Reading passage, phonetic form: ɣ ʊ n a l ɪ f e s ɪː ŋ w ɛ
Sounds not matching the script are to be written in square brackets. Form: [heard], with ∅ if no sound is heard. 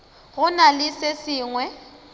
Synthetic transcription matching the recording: ɣ ʊ n a l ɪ [s] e s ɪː ŋ w ɛ